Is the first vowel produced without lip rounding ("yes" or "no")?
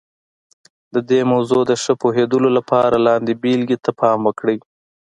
yes